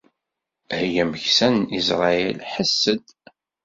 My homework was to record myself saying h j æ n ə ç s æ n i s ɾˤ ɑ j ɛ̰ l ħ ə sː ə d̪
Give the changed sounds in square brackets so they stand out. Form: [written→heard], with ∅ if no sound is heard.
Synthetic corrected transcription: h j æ [n→m] ə ç s æ n i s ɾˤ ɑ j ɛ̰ l ħ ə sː ə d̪